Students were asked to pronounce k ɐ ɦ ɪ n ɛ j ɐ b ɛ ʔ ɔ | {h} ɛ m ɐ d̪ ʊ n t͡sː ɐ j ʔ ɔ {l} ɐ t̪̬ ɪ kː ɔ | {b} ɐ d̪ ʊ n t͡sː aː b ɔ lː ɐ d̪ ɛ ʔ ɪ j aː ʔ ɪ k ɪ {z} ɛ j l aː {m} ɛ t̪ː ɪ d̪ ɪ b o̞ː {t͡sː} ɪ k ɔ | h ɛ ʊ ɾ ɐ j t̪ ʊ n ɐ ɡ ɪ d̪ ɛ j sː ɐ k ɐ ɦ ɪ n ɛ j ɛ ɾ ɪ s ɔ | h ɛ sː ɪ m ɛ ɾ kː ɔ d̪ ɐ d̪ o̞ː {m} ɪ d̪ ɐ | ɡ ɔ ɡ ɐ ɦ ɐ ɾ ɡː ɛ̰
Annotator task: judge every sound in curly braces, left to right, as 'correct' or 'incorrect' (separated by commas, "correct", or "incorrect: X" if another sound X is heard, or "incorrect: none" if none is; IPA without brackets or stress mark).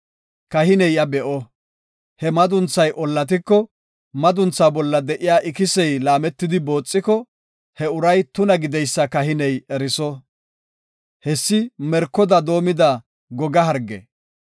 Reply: correct, incorrect: lː, incorrect: m, incorrect: s, correct, incorrect: t͡sʼː, correct